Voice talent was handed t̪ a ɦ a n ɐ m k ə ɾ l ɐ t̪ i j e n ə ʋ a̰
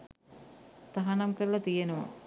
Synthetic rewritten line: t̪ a ɦ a n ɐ m k ə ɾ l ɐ t̪ i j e n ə ʋ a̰